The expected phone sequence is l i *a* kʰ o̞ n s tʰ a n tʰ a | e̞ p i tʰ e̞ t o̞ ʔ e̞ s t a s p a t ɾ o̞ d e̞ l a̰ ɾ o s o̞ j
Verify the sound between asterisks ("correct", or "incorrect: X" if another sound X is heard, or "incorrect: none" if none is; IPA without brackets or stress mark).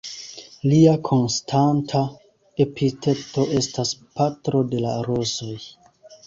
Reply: correct